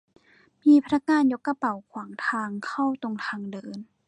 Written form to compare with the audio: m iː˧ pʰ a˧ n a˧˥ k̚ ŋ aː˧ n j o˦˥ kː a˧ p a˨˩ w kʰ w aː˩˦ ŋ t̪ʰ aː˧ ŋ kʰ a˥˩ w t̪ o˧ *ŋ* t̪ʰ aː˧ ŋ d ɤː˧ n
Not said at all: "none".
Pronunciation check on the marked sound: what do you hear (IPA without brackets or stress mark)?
ŋ